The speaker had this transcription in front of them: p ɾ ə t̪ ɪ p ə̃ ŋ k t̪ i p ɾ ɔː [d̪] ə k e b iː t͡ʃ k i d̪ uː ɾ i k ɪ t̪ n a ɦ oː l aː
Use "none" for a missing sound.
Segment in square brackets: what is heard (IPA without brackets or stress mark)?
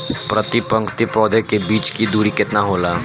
d̪